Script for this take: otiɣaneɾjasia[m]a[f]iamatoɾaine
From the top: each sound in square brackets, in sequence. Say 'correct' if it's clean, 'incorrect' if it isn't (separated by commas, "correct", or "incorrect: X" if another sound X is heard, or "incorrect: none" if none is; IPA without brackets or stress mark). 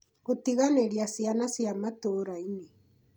incorrect: n, incorrect: s